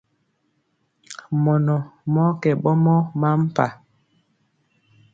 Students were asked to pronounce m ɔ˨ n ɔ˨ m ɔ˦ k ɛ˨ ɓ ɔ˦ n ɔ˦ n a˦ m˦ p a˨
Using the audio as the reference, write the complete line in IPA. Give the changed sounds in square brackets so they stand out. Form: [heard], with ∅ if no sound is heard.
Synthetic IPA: m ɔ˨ n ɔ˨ m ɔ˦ k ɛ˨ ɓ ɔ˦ [m] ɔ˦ [m] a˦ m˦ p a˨